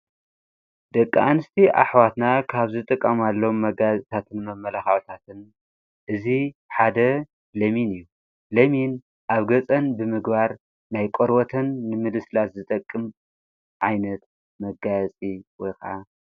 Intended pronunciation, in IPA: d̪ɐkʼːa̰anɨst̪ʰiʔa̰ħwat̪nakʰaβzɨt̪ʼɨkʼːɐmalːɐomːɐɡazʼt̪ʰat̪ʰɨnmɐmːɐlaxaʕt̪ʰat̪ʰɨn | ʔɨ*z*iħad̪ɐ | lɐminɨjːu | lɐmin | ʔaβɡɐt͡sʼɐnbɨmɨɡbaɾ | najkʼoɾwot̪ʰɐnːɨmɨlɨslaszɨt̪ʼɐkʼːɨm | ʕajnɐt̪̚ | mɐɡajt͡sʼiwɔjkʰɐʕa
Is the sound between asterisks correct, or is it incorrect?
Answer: correct